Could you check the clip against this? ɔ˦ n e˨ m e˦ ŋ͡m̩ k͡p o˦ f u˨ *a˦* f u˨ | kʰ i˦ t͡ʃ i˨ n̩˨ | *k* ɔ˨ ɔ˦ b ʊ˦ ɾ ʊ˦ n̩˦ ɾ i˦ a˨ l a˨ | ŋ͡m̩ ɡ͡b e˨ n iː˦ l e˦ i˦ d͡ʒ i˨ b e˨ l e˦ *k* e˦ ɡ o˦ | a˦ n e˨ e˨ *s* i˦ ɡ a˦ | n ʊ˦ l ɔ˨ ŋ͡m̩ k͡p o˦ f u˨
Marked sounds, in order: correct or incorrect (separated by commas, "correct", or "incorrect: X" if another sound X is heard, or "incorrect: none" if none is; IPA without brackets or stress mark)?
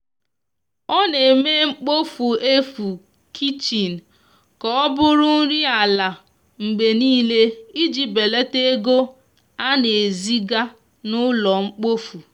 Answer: incorrect: e˦, correct, incorrect: t, incorrect: z